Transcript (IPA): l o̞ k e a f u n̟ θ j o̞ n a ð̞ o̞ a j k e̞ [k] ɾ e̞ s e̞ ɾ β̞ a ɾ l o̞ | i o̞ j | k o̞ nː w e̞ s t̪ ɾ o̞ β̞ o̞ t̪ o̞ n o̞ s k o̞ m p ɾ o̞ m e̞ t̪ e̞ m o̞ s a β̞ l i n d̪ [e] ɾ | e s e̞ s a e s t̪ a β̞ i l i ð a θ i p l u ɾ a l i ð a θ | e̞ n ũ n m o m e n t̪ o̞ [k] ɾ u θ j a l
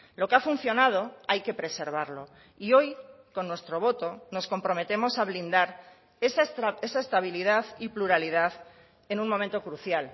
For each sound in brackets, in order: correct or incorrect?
incorrect, incorrect, correct

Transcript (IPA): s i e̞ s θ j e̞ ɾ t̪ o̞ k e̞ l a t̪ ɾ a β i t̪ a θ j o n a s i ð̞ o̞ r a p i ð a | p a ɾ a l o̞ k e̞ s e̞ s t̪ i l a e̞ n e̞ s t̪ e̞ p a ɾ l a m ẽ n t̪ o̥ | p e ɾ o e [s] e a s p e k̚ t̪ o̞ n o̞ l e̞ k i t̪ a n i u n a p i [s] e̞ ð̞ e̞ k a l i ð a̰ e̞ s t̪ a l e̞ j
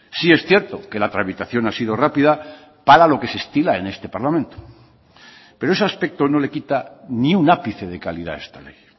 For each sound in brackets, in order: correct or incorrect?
correct, incorrect

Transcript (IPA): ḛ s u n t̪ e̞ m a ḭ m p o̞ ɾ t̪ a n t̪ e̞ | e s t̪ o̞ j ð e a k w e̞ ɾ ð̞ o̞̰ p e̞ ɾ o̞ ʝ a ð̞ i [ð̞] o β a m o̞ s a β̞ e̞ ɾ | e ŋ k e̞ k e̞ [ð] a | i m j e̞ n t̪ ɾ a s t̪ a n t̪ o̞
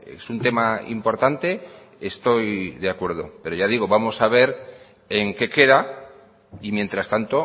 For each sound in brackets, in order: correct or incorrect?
incorrect, correct

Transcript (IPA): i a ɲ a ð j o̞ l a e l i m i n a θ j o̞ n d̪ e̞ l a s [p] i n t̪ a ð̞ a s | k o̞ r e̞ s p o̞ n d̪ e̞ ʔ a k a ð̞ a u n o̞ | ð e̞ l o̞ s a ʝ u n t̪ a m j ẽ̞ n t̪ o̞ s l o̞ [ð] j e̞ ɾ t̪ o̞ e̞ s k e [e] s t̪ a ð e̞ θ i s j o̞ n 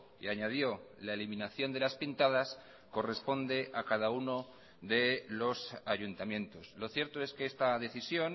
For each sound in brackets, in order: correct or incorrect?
correct, incorrect, correct

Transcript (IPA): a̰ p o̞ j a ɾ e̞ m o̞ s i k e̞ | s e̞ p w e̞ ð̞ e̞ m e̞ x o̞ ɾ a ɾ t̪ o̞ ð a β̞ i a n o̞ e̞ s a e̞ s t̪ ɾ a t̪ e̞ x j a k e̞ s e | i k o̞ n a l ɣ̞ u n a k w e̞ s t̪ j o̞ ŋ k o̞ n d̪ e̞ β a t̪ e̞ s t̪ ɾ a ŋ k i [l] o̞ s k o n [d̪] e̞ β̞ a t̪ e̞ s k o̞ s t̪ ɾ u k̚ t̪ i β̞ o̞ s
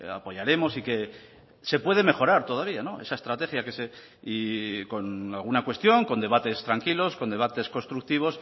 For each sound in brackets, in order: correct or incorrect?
correct, correct

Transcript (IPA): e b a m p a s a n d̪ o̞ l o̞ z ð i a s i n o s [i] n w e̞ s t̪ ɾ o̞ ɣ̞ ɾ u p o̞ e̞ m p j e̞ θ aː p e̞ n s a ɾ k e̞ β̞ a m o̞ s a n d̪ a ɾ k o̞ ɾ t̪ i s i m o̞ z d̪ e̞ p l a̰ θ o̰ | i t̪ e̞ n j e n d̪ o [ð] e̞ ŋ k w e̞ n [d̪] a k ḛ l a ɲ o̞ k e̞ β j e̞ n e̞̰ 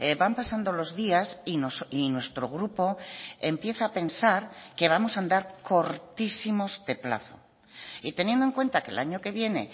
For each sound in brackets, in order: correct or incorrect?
correct, incorrect, incorrect

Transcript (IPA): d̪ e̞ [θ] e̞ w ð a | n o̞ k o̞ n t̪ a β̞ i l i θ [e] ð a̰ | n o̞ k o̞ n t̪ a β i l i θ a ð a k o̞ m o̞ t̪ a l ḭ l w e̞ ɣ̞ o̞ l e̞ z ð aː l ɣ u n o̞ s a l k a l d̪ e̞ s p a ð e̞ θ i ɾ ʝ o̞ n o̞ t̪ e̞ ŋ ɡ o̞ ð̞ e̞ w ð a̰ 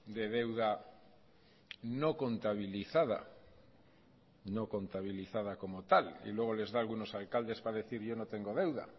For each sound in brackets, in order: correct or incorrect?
incorrect, incorrect

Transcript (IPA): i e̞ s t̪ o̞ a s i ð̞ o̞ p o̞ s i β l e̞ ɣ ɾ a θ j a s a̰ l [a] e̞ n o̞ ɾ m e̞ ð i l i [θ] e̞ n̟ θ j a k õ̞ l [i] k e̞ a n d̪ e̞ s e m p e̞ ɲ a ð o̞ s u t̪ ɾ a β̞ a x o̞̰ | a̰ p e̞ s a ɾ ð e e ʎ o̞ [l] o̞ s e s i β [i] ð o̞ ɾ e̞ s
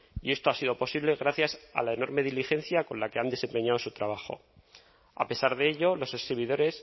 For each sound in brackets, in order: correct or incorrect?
correct, incorrect, incorrect, correct, correct

